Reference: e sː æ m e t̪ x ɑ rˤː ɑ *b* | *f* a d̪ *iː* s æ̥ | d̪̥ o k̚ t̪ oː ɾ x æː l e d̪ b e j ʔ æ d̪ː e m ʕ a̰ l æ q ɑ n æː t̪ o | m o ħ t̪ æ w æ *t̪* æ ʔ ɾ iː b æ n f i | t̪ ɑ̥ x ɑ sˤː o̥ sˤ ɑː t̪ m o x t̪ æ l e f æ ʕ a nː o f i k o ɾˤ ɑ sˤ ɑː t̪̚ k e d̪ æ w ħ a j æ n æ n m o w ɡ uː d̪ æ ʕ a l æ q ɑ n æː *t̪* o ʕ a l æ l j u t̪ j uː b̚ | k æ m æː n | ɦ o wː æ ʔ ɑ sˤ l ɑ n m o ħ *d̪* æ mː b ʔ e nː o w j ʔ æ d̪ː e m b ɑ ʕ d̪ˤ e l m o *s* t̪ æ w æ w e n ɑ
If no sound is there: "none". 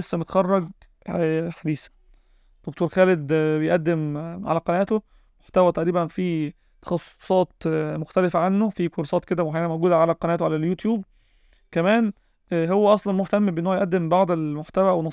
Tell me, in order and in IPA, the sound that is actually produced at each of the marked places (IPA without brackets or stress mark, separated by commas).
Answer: ɡ, ħ, iː, t̪, t̪, t̪, ħ